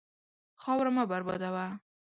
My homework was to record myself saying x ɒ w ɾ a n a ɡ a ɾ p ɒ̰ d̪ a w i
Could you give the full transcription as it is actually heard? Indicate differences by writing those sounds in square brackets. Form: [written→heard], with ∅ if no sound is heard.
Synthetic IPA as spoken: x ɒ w ɾ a [n→m] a [ɡ→b] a ɾ [p→b] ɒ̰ d̪ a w [i→a]